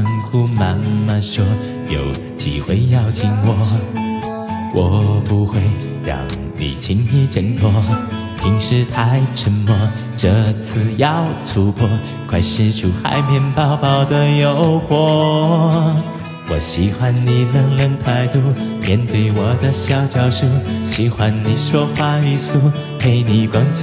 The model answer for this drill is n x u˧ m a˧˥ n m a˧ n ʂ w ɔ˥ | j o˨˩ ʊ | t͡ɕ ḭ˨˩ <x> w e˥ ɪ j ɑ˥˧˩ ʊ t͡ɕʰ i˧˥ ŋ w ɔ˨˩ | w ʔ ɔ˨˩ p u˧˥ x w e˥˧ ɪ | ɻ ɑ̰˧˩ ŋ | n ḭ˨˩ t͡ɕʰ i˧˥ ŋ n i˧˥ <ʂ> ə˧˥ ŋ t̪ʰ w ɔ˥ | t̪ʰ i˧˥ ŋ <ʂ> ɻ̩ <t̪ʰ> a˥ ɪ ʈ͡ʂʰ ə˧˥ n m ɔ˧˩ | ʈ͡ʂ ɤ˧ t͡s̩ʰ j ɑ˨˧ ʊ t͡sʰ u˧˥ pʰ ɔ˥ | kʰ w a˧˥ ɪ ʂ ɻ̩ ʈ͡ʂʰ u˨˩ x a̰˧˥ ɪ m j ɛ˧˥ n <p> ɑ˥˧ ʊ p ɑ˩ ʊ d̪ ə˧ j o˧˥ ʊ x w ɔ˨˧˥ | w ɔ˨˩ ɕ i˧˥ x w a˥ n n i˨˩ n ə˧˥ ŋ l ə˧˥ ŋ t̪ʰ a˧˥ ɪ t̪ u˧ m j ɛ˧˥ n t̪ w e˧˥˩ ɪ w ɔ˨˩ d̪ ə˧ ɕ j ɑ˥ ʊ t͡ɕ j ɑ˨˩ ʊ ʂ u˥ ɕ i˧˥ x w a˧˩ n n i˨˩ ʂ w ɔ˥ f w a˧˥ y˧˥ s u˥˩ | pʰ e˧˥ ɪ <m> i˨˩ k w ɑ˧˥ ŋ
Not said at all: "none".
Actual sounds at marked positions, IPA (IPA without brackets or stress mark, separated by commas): x, ʈ͡ʂ, ʂ, t̪ʰ, p, n